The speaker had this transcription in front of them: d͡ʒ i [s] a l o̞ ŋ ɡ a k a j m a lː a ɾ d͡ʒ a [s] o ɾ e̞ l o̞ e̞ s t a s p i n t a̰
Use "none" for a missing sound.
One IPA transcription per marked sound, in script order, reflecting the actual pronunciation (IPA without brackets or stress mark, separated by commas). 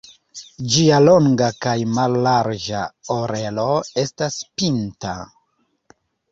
none, none